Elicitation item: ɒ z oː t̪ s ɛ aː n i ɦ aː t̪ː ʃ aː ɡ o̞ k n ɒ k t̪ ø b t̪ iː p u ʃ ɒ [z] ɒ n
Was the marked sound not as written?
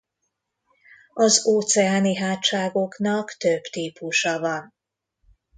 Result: yes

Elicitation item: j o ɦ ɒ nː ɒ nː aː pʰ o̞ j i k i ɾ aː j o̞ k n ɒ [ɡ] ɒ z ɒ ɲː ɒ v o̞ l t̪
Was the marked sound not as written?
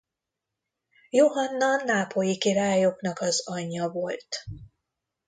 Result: yes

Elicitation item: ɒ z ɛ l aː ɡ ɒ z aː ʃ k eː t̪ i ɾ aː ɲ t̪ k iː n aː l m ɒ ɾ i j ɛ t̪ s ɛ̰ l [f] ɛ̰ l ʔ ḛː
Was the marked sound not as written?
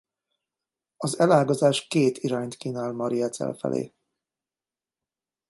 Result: no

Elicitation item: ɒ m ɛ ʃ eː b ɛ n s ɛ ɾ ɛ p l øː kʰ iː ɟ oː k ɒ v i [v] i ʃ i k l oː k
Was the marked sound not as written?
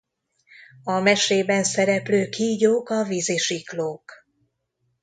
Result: yes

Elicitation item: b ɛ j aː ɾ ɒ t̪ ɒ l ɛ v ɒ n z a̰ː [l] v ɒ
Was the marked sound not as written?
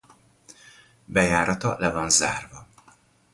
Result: yes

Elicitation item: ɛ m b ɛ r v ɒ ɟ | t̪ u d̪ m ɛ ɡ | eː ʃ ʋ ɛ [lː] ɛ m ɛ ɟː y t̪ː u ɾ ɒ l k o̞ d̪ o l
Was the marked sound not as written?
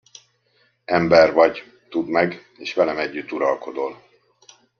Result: yes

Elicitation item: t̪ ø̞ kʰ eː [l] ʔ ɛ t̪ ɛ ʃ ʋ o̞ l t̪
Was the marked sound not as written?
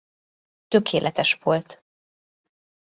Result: no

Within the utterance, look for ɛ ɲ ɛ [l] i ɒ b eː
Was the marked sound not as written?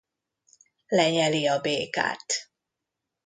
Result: no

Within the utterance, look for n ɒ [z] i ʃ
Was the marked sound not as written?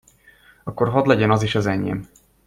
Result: no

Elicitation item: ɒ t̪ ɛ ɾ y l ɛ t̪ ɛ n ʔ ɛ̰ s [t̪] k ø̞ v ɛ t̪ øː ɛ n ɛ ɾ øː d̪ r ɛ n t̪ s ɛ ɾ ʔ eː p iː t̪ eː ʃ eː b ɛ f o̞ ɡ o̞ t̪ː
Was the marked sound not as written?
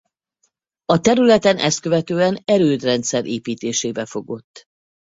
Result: no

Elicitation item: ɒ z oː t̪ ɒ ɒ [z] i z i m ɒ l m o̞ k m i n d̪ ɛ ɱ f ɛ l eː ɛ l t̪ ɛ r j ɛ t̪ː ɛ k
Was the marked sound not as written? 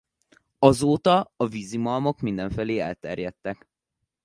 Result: yes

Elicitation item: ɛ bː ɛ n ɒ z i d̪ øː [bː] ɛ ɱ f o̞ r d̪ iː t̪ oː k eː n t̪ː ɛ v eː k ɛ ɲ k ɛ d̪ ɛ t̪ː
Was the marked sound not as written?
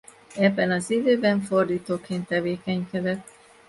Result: yes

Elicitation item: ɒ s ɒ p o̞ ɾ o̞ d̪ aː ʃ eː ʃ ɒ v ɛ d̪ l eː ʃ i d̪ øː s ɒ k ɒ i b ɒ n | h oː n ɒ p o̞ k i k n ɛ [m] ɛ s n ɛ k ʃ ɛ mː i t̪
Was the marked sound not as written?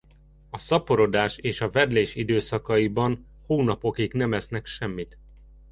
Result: no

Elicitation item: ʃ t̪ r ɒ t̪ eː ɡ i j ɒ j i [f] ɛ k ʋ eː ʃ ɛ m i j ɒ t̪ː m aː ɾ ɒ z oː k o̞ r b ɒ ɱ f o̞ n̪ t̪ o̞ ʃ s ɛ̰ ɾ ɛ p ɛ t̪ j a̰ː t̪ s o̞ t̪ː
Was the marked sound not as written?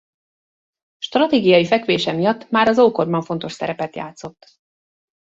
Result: no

